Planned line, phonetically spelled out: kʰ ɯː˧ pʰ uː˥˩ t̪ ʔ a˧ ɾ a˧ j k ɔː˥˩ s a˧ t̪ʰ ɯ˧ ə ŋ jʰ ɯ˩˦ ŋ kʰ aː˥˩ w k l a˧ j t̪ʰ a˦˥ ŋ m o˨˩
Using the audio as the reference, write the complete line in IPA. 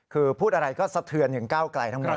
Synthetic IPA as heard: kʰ ɯː˧ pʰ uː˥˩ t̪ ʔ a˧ ɾ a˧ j k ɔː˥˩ s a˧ t̪ʰ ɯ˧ ə n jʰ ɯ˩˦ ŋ k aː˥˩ w k l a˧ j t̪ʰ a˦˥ ŋ m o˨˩